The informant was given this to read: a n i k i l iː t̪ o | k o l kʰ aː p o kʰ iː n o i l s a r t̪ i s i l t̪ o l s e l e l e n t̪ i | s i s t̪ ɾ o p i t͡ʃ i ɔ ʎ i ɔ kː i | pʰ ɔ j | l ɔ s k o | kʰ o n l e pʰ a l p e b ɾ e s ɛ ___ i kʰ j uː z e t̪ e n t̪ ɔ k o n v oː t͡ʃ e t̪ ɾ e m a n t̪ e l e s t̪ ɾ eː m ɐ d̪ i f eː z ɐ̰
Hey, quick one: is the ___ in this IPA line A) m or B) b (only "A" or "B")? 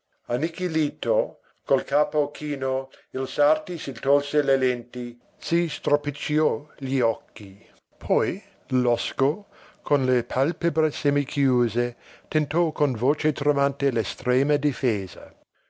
A